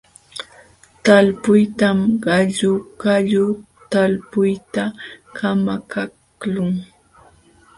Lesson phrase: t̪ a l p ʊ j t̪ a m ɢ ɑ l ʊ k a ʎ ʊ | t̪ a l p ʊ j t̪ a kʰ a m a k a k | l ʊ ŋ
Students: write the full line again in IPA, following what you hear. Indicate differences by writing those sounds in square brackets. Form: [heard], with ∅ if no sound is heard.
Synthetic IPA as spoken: t̪ a l p ʊ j t̪ a m ɢ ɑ [ʎ] ʊ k a ʎ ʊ | t̪ a l p ʊ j t̪ a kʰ a m a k a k | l ʊ ŋ